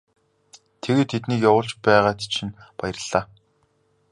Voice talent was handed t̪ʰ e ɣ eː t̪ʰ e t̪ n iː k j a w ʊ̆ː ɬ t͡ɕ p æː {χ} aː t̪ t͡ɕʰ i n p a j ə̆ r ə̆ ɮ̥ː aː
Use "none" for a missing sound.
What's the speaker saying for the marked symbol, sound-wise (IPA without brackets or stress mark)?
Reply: ʁ